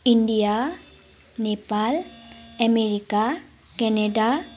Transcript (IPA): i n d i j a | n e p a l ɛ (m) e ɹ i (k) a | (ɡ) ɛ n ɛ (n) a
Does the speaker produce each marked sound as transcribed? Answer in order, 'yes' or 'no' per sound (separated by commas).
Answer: yes, yes, no, no